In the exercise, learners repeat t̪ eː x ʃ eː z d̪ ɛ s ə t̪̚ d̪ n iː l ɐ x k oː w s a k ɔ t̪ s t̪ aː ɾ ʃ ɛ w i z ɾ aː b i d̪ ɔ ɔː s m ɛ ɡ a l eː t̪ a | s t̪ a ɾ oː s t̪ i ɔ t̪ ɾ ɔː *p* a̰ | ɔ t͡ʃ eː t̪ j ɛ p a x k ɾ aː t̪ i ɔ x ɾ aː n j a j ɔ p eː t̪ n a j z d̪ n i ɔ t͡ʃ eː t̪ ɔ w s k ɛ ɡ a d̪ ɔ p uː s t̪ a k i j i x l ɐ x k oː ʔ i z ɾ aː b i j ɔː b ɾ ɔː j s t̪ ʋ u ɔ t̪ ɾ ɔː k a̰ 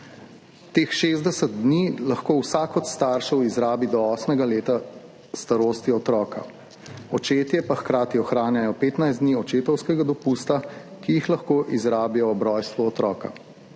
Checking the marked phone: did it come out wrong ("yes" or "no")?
yes